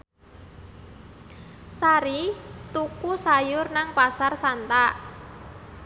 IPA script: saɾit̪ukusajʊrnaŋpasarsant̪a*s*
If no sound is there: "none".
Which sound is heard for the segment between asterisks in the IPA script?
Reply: none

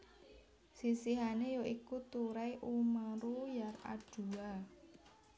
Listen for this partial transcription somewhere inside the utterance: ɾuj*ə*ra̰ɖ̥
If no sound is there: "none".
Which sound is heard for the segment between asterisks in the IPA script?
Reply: a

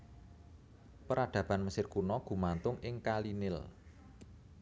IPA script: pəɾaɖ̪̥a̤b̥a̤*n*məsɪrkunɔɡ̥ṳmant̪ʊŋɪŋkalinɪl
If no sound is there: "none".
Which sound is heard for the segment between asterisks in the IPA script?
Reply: n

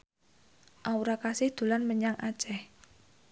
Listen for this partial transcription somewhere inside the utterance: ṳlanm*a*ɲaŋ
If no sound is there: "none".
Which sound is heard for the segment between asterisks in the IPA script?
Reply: ə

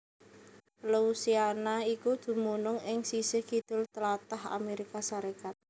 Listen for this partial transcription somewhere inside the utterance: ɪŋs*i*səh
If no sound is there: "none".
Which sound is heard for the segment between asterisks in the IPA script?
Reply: i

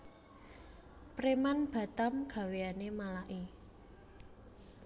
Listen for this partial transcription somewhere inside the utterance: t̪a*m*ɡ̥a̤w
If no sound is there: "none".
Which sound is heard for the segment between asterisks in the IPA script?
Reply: m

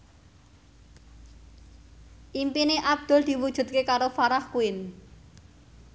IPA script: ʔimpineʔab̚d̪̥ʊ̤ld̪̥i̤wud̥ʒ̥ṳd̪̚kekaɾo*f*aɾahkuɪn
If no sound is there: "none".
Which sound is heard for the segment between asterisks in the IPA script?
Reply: f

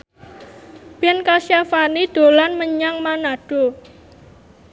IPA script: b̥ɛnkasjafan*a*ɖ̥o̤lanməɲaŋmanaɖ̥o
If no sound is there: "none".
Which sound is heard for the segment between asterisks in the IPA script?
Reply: i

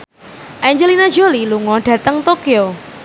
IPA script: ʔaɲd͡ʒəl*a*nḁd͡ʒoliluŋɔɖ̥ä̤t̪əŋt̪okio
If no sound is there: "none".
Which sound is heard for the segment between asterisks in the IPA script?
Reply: i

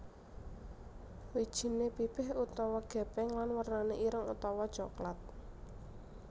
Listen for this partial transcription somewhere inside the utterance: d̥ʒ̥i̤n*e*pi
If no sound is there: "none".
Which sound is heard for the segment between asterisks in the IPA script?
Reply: e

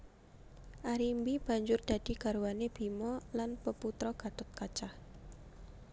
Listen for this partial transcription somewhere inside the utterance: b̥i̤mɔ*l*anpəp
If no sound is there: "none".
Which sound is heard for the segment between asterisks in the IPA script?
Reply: l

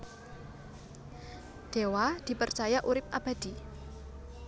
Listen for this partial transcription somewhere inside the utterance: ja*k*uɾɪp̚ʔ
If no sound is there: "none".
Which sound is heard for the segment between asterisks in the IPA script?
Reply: ʔ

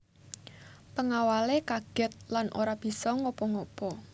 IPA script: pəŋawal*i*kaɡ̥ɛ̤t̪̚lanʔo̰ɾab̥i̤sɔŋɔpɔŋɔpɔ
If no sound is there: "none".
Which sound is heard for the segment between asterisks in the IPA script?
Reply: e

